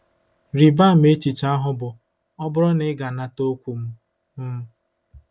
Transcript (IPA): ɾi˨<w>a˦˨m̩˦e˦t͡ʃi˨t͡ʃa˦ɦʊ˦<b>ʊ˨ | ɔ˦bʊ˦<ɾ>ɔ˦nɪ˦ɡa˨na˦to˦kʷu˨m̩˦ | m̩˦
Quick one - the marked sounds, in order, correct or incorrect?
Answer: incorrect, correct, correct

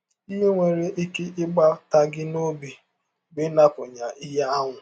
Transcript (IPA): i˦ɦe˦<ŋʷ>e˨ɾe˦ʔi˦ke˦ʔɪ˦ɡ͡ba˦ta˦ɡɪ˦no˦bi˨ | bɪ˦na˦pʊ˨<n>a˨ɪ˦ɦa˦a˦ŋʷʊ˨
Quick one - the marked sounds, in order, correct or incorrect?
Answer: correct, incorrect

